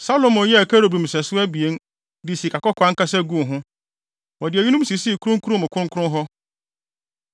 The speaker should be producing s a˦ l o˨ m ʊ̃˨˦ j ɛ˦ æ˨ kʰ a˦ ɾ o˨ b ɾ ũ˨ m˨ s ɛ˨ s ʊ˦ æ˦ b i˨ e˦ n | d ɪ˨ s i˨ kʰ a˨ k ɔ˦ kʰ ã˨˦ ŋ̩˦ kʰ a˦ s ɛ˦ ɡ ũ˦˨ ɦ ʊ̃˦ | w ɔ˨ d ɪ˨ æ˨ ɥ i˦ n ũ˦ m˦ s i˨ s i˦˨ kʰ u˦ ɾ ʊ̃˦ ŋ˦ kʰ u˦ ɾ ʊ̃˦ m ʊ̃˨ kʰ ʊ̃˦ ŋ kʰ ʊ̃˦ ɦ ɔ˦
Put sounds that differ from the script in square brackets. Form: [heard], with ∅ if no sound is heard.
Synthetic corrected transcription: s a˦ l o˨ m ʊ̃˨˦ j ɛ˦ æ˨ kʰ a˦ ɾ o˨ b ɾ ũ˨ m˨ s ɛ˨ s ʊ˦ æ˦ b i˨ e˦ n | d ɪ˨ s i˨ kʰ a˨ k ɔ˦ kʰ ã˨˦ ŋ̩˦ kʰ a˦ s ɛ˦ ɡ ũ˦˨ ɦ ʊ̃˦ | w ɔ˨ d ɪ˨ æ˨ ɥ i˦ n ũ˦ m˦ s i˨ s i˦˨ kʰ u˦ ɾ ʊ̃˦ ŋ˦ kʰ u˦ ɾ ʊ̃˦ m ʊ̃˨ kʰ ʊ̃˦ ŋ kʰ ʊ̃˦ ɦ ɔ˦

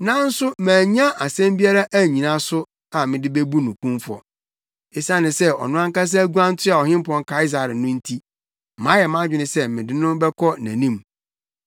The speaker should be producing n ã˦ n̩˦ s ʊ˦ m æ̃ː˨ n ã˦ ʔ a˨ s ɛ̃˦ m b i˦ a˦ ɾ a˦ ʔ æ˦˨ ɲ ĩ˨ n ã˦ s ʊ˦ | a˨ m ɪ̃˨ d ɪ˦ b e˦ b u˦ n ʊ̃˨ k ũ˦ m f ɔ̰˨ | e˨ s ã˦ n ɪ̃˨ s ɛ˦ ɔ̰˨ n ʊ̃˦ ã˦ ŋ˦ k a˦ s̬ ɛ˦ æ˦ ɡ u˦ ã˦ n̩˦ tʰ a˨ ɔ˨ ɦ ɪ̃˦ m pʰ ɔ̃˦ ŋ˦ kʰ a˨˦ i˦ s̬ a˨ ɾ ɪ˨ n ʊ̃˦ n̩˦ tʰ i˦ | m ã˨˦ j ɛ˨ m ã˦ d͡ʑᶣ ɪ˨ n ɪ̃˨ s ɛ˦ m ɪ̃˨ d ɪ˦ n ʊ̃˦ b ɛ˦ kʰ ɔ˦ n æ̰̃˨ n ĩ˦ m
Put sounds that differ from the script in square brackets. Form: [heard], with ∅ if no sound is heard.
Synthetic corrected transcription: n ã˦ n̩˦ s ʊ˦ m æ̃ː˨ [ɲ] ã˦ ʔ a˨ s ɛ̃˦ m b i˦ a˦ ɾ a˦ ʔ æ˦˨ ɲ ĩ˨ n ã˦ s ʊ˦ | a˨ m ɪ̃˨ d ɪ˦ b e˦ b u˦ n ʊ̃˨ k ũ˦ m f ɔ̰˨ | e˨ s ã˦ n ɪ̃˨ s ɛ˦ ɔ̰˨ n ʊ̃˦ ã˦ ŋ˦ k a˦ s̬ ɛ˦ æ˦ ɡ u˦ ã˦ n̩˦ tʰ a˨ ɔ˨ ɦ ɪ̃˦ m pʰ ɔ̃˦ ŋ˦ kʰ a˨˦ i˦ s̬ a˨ ɾ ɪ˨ n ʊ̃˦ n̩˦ tʰ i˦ | m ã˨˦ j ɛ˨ m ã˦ d͡ʑᶣ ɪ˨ n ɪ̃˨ s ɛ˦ m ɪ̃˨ d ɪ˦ n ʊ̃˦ b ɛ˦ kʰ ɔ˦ n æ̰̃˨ n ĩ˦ m

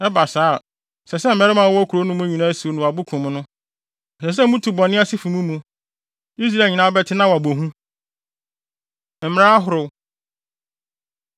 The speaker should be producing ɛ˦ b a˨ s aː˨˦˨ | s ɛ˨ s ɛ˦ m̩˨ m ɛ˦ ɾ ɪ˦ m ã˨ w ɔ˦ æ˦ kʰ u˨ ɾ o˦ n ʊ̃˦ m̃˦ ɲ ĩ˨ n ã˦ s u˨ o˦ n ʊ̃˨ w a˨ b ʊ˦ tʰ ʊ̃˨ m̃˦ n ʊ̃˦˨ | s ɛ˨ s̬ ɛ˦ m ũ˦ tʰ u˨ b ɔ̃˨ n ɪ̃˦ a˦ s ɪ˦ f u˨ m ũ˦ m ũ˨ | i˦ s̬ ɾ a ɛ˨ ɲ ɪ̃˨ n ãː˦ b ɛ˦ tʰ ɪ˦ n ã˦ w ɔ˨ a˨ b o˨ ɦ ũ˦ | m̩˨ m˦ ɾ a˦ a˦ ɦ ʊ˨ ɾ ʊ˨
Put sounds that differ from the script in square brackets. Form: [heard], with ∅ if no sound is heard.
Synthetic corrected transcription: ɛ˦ b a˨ s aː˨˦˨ | s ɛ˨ s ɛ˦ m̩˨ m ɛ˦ ɾ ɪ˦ m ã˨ w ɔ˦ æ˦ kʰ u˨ ɾ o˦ n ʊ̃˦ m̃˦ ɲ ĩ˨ n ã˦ s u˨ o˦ n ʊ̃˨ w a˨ b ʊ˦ [kʰ] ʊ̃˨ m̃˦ n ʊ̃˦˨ | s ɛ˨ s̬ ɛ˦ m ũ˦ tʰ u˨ b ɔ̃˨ n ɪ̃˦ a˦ s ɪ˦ f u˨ m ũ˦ m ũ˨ | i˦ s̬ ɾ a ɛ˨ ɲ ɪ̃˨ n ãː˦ b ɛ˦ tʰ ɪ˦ n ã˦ w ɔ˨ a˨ b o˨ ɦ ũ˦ | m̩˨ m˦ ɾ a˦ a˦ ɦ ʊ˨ ɾ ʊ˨

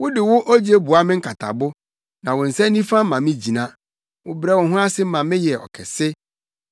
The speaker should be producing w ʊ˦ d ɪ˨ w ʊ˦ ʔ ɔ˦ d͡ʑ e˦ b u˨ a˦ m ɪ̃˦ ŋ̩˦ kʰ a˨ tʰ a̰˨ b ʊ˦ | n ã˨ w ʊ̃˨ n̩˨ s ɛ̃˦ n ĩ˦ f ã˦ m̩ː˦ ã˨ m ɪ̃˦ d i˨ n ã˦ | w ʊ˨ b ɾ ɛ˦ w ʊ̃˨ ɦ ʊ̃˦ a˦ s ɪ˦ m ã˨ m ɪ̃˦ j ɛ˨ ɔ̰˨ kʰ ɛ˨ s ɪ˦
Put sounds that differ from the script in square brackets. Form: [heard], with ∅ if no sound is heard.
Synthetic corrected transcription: w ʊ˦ d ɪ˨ w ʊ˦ ʔ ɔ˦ d͡ʑ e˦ b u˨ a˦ m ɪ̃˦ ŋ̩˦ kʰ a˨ tʰ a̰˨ b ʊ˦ | n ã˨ w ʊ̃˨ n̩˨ s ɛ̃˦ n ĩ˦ f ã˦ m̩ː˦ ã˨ m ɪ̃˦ [d͡ʑ] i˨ n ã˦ | w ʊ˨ b ɾ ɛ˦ w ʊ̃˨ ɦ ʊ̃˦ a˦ s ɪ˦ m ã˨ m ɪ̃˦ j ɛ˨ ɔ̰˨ kʰ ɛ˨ s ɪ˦

